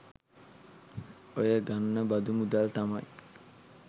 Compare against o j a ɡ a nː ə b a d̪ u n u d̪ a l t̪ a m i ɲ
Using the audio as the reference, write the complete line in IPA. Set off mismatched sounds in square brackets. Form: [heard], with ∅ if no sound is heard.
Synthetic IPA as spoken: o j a ɡ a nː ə b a d̪ u [m] u d̪ a l t̪ a m [a] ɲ